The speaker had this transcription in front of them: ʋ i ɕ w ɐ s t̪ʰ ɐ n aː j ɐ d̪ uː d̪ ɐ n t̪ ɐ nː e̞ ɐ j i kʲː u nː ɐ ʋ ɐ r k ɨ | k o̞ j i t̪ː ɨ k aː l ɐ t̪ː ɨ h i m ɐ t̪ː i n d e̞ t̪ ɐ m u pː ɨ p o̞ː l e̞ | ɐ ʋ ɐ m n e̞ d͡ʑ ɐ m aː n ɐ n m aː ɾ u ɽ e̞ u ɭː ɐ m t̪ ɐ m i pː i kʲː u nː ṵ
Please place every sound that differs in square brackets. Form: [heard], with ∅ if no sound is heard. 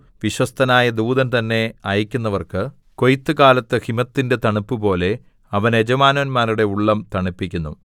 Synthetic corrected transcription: ʋ i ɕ w ɐ s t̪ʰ ɐ n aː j ɐ d̪ uː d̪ ɐ n t̪ ɐ nː e̞ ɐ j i kʲː u nː ɐ ʋ ɐ r k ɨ | k o̞ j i t̪ː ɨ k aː l ɐ t̪ː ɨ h i m ɐ t̪ː i n d e̞ t̪ ɐ [ɳ] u pː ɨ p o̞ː l e̞ | ɐ ʋ ɐ [∅] n e̞ d͡ʑ ɐ m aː n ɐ n m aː ɾ u ɽ e̞ u ɭː ɐ m t̪ ɐ [ɳ] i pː i kʲː u nː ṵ